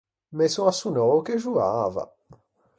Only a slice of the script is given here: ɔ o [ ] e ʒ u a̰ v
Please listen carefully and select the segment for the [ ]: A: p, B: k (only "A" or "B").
B